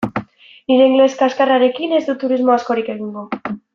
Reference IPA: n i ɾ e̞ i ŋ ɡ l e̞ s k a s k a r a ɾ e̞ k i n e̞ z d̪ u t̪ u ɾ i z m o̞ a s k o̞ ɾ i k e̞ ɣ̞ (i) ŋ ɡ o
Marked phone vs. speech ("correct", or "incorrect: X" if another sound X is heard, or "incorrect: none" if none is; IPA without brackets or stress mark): correct